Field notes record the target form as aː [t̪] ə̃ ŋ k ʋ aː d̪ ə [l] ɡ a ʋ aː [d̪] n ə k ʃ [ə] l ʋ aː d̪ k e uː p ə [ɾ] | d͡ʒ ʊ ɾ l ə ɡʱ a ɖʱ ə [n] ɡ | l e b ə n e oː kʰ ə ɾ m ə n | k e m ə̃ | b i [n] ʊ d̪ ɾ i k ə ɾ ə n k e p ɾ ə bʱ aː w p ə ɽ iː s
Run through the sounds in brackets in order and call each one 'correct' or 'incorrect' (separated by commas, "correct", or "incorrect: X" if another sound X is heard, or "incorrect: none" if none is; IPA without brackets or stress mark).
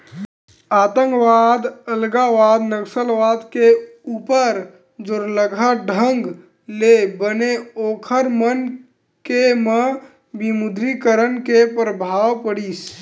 correct, correct, correct, correct, correct, incorrect: ŋ, incorrect: m